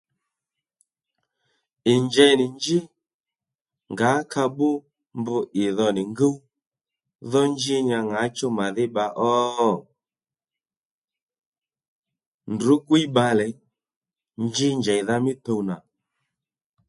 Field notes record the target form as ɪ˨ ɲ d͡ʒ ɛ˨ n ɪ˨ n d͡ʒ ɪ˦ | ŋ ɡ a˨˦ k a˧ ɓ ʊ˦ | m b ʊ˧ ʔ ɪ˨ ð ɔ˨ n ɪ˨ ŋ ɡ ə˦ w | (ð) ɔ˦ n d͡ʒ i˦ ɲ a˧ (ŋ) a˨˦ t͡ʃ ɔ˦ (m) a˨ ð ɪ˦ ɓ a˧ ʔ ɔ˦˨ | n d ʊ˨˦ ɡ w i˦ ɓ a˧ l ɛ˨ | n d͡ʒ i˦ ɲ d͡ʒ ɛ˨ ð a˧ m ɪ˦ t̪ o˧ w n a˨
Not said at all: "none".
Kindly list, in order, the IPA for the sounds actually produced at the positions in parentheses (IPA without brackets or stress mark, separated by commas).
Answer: ð, ŋ, m